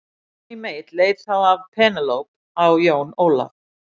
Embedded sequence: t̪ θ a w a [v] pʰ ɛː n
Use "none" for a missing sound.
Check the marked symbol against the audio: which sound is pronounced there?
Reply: v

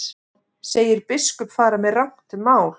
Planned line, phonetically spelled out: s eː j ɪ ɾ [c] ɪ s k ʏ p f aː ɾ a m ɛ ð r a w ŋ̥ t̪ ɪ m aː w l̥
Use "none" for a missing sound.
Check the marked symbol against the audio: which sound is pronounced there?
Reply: p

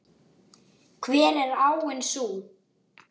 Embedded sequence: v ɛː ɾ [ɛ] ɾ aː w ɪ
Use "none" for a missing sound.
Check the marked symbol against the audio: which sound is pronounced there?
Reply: ɛ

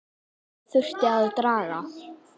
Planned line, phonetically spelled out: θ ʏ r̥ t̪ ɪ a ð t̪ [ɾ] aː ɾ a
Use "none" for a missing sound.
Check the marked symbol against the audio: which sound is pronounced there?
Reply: ɾ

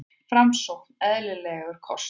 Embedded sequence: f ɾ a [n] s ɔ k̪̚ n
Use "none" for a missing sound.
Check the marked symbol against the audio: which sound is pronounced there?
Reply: m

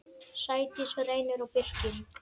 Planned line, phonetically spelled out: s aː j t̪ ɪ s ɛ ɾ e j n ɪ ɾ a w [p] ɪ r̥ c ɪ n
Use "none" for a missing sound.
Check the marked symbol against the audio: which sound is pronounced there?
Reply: p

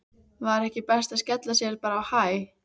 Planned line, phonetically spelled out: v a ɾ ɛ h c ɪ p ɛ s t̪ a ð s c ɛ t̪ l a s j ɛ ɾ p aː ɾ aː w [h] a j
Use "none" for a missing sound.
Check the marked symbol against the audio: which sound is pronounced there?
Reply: h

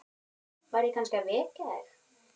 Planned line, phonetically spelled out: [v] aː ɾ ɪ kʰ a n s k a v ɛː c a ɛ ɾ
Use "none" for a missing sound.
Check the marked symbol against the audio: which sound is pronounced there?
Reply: v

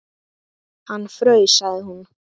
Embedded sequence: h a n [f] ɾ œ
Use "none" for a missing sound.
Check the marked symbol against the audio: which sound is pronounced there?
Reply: f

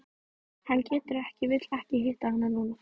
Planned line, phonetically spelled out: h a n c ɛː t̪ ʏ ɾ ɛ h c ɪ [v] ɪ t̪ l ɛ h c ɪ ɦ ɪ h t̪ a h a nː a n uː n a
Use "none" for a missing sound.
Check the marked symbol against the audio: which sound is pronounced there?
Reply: v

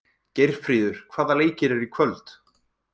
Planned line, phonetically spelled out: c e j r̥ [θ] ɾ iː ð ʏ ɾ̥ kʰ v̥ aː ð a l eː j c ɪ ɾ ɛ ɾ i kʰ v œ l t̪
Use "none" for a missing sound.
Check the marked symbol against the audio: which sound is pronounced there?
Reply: f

